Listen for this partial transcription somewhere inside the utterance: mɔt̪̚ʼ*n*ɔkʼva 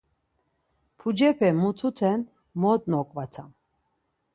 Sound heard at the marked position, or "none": n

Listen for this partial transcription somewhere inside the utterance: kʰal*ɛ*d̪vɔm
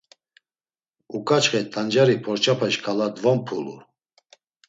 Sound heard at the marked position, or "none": a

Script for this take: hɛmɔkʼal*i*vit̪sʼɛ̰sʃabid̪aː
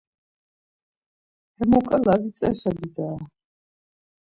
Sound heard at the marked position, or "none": a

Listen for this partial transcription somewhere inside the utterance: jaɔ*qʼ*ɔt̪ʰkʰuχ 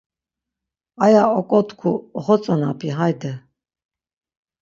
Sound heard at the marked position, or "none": kʼ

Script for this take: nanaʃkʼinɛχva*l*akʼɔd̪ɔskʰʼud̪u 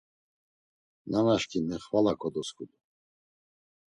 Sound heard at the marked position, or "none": l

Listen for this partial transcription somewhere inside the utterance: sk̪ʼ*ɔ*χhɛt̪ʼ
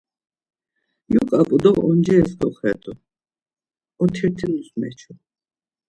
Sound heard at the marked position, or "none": ɔ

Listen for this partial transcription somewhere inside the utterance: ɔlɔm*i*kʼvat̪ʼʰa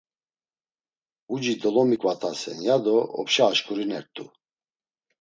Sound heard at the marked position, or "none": i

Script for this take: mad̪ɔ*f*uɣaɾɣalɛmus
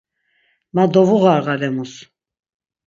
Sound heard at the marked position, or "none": v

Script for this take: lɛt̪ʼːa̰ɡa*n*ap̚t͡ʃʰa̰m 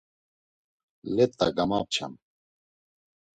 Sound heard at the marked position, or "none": m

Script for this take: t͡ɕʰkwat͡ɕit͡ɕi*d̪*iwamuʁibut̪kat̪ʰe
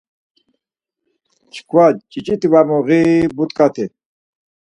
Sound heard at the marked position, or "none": t̪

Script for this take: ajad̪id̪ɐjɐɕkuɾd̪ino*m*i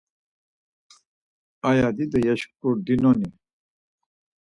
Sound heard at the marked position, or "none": n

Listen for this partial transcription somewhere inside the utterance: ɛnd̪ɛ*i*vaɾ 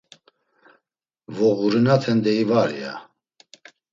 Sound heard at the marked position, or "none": i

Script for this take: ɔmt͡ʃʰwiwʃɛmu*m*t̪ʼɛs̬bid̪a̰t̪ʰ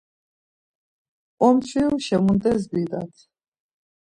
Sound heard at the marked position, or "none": n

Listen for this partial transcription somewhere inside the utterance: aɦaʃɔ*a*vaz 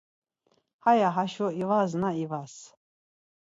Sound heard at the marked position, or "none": i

